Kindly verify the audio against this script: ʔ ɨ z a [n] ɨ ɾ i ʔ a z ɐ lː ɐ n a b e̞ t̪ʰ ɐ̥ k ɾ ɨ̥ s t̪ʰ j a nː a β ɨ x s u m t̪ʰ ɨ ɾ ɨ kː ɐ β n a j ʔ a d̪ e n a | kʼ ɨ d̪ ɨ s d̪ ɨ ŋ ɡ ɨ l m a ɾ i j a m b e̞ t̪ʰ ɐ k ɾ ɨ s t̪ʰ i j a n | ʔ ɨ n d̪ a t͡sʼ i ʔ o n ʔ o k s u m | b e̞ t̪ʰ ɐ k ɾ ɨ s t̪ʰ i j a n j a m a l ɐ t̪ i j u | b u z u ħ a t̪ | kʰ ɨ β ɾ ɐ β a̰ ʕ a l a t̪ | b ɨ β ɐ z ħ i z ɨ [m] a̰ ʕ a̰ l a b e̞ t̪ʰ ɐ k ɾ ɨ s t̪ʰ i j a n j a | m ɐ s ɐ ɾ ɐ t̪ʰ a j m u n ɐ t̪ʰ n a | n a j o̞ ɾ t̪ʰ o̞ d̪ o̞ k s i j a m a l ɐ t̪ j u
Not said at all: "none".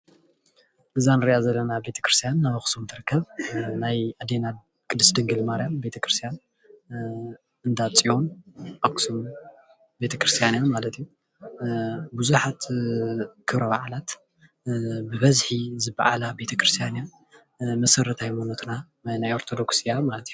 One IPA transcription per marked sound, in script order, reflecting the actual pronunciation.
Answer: n, b

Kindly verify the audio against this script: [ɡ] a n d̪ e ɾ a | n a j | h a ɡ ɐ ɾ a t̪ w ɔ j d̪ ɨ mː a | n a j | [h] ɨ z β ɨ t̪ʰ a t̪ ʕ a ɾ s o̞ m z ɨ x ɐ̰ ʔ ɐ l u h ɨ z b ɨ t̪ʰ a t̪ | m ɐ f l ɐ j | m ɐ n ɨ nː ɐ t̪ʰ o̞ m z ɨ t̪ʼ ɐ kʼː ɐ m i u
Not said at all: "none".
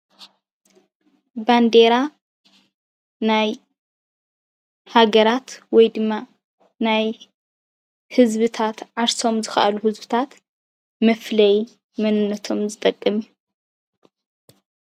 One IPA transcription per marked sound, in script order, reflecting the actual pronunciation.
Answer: b, h

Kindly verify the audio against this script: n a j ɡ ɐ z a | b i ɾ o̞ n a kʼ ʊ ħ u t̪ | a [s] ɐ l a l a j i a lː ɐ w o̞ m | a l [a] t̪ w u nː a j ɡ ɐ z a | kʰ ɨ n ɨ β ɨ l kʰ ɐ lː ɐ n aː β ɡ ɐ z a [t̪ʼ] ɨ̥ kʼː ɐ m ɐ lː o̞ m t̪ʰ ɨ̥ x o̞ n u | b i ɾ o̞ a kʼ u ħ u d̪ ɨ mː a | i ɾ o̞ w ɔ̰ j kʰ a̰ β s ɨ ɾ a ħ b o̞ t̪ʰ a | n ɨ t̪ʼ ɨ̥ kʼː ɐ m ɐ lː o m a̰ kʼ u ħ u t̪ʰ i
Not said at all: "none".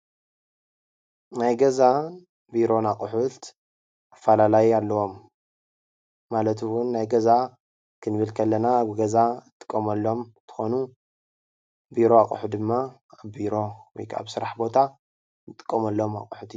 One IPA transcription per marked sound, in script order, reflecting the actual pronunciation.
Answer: f, ɐ, t̪ʼ

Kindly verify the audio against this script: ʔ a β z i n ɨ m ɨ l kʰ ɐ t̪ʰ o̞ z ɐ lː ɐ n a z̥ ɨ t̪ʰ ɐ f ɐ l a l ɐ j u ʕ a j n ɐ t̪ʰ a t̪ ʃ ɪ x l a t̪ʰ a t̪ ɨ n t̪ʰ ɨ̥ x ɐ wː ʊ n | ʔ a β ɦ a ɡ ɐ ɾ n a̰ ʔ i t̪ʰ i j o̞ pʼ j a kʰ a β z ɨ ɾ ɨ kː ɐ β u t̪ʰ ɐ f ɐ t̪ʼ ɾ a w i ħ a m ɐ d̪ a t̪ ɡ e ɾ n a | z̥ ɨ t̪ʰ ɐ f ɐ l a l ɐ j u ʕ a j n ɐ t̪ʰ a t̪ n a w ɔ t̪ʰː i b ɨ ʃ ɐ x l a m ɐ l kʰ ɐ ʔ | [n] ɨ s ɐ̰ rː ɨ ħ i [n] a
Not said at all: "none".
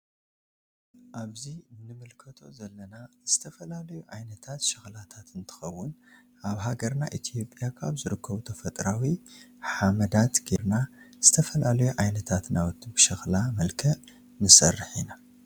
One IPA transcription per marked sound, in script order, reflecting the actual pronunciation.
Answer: n, n

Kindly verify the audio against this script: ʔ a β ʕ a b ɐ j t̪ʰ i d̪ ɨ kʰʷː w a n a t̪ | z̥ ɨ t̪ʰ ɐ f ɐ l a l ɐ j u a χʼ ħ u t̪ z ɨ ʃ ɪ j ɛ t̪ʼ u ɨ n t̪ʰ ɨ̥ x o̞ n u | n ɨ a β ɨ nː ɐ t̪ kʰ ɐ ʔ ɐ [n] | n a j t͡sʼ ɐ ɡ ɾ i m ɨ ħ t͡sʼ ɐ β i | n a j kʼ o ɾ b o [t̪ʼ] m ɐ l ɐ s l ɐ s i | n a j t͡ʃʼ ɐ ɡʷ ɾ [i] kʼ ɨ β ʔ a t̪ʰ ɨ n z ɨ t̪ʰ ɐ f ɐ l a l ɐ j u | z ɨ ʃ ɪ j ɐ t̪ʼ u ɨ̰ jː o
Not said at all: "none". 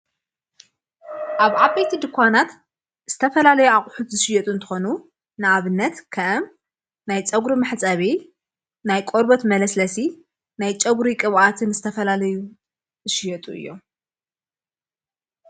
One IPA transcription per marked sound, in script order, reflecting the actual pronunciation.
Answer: m, t̪, i

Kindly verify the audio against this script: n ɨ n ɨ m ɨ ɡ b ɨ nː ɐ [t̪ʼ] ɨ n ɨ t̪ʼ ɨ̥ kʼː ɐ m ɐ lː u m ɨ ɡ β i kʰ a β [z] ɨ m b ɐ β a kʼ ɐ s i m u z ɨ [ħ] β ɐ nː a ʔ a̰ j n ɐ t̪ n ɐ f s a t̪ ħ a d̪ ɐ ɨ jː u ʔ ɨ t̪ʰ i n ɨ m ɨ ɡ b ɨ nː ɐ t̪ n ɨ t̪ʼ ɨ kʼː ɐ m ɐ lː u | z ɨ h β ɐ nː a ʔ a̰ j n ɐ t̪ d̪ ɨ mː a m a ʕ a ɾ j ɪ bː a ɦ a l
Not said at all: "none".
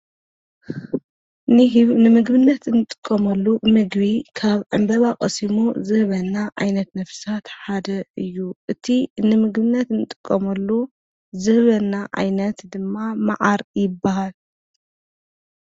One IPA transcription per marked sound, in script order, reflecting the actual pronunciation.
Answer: t̪, ʕ, h

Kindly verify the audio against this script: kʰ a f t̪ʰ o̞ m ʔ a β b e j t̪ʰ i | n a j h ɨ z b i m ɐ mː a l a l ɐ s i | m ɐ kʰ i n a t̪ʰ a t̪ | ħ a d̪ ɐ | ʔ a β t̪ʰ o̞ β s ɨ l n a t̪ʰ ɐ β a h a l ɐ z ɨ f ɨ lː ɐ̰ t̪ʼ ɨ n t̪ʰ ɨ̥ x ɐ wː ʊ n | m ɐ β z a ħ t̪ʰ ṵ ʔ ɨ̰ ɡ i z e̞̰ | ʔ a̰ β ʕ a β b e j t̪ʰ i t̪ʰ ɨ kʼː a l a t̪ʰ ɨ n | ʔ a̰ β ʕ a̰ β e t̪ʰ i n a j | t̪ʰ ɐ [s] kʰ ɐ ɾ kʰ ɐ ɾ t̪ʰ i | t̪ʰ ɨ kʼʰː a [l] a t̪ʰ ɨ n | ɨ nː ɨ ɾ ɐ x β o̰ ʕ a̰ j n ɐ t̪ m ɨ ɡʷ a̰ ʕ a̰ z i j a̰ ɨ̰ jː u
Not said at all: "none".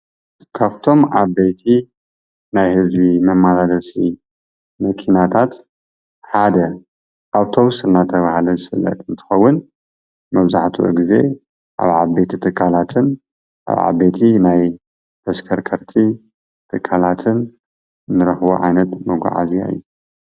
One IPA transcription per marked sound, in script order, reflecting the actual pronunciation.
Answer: s, l

